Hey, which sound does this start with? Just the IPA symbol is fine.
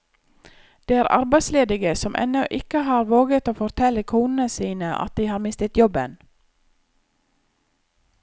d̪̥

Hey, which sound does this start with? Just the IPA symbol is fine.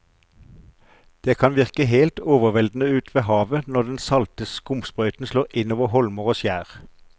d̪̥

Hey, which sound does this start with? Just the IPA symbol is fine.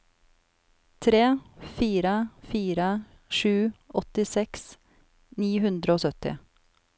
t̪ʰ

